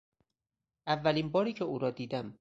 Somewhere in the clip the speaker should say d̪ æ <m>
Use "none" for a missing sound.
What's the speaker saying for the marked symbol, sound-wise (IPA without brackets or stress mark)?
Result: m